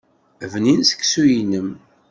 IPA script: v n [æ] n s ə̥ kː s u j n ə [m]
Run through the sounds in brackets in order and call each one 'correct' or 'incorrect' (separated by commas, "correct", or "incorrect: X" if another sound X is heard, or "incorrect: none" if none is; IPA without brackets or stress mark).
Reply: incorrect: i, correct